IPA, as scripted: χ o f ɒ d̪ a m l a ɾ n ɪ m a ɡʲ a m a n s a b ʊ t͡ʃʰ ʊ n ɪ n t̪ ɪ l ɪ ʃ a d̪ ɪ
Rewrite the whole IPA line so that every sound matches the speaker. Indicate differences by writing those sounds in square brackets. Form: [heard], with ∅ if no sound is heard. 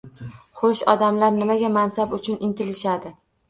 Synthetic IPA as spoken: χ o [ʃ] ɒ d̪ a m l a ɾ n ɪ m a ɡʲ a m a n s a b ʊ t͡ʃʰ ʊ n ɪ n t̪ ɪ l ɪ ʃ a d̪ ɪ